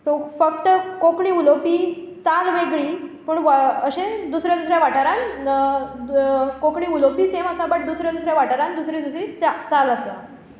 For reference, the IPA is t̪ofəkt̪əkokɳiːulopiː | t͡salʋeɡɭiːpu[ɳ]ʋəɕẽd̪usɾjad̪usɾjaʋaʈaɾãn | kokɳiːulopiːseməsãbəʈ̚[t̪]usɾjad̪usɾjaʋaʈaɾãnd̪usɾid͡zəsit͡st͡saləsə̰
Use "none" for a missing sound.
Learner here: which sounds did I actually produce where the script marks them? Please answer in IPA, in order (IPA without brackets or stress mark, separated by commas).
ɳ, d̪